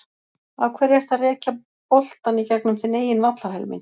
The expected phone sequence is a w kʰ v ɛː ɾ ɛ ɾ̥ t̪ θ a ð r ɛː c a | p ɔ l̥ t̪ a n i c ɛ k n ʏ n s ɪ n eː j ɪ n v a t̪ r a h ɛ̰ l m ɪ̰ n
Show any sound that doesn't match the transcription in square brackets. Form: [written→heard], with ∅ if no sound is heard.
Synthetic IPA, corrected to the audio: a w kʰ v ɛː ɾ ɛ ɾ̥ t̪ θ a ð r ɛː c a | p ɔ l̥ t̪ a n i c ɛ k n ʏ [n→m] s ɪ n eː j ɪ n v a t̪ [r→l] a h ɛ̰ l m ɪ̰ n